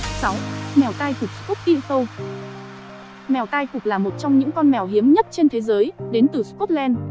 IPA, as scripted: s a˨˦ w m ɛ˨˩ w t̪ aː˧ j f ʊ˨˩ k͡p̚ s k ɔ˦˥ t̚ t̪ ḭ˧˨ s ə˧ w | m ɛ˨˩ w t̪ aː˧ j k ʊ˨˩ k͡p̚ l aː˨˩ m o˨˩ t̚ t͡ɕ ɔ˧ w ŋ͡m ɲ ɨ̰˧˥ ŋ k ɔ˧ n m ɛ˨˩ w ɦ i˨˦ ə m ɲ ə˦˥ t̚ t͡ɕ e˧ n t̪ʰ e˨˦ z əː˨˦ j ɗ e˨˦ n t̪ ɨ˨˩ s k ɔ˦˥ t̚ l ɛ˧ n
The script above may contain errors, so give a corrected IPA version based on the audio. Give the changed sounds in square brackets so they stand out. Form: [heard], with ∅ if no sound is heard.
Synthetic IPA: s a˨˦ w m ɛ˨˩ w t̪ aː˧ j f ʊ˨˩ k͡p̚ s k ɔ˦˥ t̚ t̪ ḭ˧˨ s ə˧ w | m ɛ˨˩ w t̪ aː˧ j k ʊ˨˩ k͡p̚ l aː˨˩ m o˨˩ t̚ t͡ɕ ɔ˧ w ŋ͡m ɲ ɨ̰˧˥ ŋ k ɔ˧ n m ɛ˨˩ w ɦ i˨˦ ə m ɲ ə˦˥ t̚ t͡ɕ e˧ n t̪ʰ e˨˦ z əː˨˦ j ɗ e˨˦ n t̪ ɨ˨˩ s k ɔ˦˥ t̚ l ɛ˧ n